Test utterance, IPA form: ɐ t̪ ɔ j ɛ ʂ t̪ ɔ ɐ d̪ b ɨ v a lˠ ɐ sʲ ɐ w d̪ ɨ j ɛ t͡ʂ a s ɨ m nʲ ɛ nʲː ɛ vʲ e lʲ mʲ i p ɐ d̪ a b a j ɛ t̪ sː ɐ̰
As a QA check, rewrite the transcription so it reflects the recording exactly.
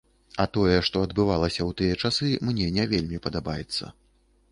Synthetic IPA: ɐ t̪ ɔ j ɛ ʂ t̪ ɔ ɐ d̪ b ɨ v a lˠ ɐ sʲ ɐ w t̪ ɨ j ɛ t͡ʂ a s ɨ m nʲ ɛ nʲ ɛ vʲ e lʲ mʲ i p ɐ d̪ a b a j ɛ t̪ sː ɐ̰